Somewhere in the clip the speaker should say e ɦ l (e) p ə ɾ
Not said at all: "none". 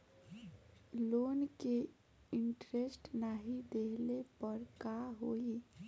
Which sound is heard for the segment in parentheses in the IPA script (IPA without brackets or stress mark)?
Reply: e